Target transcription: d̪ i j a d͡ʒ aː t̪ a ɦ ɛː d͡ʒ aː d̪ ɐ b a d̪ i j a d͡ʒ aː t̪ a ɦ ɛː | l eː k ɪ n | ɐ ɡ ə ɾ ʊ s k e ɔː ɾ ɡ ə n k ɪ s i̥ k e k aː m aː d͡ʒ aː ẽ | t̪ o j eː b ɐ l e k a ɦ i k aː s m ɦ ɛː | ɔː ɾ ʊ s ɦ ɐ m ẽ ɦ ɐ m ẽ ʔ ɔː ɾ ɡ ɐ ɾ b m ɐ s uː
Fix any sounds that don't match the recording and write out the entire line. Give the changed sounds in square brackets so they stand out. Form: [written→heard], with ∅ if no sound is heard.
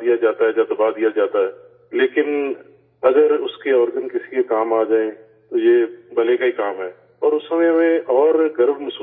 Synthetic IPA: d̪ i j a d͡ʒ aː t̪ a ɦ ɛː d͡ʒ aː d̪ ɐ b a d̪ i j a d͡ʒ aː t̪ a ɦ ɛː | l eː k ɪ n | ɐ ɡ ə ɾ ʊ s k e ɔː ɾ ɡ ə n k ɪ s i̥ k e k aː m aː d͡ʒ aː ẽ | t̪ o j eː b ɐ l e k a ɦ i k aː [s→∅] m ɦ ɛː | ɔː ɾ ʊ s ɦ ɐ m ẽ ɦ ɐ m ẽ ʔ ɔː ɾ ɡ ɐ ɾ b m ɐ s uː

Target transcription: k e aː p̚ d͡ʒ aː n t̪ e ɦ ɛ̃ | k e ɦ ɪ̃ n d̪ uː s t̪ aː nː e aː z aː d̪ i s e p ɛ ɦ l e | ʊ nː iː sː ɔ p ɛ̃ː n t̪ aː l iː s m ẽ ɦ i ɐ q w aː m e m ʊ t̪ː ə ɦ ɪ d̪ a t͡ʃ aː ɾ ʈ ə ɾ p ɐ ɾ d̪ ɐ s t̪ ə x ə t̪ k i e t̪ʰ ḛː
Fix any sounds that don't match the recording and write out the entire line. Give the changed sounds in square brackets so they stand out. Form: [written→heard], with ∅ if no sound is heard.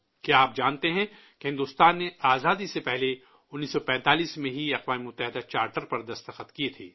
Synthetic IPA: k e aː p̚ d͡ʒ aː n t̪ e ɦ ɛ̃ | k e ɦ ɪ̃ n d̪ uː s t̪ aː nː e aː z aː d̪ i s e p ɛ ɦ l e | ʊ nː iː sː ɔ p ɛ̃ː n t̪ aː l iː s m ẽ ɦ i ɐ q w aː m e m ʊ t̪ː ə ɦ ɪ d̪ a t͡ʃ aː ɾ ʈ ə ɾ p ɐ ɾ d̪ ɐ s t̪ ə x ə t̪ k i e t̪ʰ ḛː

